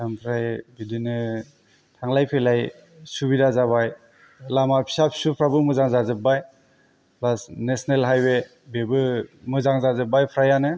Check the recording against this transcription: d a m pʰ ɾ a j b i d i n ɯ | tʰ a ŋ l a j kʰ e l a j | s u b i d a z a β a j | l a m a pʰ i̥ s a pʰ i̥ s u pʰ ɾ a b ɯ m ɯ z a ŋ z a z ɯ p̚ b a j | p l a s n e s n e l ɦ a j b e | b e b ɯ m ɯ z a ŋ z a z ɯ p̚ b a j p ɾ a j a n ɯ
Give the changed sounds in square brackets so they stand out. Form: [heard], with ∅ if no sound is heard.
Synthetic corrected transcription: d a m pʰ ɾ a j b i d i n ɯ | tʰ a ŋ l a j [pʰ] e l a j | s u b i d a z a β a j | l a m a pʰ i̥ s a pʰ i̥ s u pʰ ɾ a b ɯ m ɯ z a ŋ z a z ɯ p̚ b a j | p l a s n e s n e l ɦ a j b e | b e b ɯ m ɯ z a ŋ z a z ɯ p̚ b a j [pʰ] ɾ a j a n ɯ